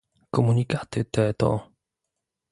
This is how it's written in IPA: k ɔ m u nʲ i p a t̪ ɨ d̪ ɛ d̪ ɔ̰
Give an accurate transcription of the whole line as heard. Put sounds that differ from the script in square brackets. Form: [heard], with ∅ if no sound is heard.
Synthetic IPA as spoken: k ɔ m u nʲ i [k] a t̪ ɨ [t̪] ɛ [t̪] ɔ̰